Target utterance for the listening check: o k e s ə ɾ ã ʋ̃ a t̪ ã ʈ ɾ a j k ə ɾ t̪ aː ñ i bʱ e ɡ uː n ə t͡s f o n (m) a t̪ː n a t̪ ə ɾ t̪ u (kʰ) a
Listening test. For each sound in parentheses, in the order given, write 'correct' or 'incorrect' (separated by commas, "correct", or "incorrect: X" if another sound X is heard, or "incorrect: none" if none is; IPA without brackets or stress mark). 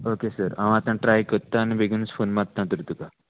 correct, incorrect: k